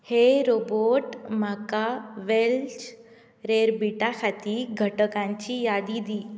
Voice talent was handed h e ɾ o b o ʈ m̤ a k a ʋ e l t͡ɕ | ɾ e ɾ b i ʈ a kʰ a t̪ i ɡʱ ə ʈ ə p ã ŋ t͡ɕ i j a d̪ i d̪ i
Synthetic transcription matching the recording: h e ɾ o b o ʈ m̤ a k a ʋ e l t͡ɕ | ɾ e ɾ b i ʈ a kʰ a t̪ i ɡʱ ə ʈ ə k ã ɲ t͡ɕ i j a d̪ i d̪ i